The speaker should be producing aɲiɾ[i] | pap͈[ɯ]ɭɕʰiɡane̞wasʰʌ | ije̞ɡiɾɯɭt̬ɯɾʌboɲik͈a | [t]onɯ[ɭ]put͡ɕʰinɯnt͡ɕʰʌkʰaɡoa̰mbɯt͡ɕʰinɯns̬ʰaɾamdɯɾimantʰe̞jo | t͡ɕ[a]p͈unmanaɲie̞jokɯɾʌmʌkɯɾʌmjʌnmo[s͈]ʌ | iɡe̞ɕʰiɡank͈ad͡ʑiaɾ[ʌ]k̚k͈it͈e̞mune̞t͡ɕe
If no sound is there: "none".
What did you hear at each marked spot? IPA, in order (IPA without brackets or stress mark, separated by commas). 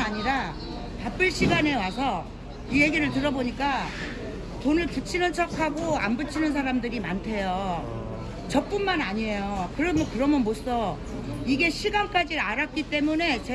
a, ɯ, t, ɭ, ʌ, s͈, a